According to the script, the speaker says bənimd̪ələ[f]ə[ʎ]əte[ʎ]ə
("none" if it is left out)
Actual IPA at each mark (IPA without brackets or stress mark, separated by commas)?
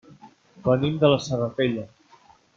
s, r, ʎ